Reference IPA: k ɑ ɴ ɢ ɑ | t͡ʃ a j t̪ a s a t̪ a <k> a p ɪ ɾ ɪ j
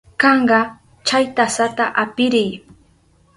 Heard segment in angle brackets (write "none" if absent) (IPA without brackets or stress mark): ʔ